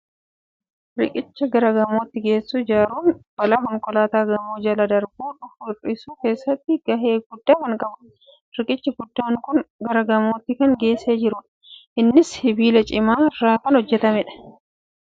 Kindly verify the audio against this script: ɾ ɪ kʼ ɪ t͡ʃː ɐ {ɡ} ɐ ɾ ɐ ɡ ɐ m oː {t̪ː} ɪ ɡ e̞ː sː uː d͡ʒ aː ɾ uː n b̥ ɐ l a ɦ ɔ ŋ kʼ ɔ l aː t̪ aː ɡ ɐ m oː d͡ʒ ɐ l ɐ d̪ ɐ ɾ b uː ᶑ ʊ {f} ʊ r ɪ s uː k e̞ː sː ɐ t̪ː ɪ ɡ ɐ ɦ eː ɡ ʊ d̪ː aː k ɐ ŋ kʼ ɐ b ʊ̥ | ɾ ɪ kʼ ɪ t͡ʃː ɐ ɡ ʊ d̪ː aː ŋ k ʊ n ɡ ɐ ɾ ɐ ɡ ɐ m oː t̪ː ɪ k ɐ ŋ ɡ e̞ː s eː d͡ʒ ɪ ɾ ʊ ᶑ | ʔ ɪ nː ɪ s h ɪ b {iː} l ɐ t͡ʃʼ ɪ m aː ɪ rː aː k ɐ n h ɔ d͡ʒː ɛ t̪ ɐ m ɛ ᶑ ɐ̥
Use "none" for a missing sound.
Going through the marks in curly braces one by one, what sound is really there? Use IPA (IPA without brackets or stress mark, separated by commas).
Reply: ɡ, t̪ː, f, iː